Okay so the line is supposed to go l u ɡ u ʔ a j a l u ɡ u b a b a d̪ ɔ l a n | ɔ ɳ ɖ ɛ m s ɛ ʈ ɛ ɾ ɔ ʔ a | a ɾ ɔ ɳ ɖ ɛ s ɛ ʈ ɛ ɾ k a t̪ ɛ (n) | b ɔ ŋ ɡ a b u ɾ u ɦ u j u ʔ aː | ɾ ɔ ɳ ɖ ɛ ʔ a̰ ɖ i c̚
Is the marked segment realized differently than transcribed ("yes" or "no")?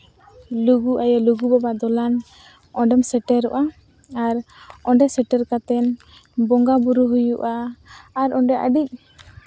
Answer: no